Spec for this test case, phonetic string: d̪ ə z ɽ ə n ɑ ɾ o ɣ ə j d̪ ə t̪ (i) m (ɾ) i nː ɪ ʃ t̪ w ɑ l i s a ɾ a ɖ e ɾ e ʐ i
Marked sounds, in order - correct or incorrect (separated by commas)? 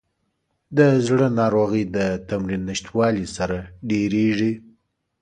incorrect, correct